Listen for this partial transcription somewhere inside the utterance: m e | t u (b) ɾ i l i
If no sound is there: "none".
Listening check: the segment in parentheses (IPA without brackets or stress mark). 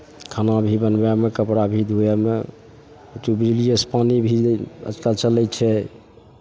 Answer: b